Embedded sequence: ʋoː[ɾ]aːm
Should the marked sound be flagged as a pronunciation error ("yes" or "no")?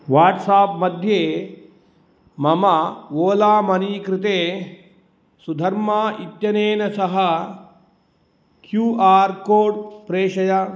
yes